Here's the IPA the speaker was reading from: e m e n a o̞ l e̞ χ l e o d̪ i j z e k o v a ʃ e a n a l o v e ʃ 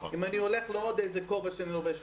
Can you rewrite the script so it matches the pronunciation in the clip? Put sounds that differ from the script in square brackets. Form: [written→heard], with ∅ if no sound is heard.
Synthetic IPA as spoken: [e→i] m [e→a] n [a→i] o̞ l e̞ χ l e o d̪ [i→e] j z e k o v a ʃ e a n [a→i] l o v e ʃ